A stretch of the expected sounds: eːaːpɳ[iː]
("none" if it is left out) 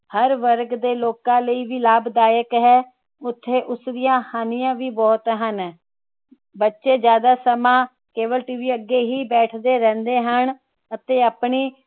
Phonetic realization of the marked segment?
iː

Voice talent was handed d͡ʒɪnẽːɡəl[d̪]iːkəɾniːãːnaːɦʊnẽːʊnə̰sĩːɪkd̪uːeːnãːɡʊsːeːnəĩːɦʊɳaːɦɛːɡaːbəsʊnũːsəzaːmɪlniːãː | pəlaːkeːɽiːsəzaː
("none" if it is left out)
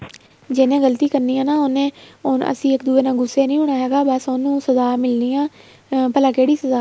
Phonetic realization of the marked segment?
t̪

